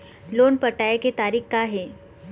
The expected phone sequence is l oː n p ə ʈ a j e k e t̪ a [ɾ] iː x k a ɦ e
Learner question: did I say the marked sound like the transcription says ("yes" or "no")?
yes